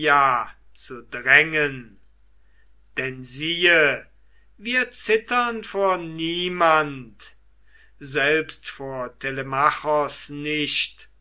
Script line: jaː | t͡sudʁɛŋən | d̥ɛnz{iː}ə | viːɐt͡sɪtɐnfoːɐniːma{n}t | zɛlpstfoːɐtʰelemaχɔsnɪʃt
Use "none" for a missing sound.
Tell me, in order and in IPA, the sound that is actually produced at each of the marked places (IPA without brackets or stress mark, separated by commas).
iː, n